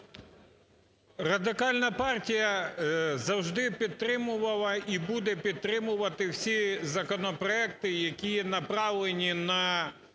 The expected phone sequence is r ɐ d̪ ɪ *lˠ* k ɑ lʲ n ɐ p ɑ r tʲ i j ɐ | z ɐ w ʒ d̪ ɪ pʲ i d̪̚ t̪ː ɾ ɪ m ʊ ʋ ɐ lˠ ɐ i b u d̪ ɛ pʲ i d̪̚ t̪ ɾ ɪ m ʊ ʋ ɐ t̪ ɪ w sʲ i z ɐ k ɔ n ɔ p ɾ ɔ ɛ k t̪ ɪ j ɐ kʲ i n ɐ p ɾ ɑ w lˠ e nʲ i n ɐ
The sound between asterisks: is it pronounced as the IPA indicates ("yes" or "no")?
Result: no